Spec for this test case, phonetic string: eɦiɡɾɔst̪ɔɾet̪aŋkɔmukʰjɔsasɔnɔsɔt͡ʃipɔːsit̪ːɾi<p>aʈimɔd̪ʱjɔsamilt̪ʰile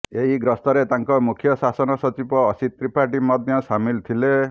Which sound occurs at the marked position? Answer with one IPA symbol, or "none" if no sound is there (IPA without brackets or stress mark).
p